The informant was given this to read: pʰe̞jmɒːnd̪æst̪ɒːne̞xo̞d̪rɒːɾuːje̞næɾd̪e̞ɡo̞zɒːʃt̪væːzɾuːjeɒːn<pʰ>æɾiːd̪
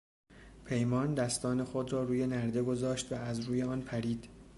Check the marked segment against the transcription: correct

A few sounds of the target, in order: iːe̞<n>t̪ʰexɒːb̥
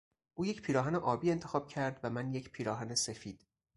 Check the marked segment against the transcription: correct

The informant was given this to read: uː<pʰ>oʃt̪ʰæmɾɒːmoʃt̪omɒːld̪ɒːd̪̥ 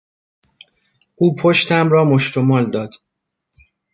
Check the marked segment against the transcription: correct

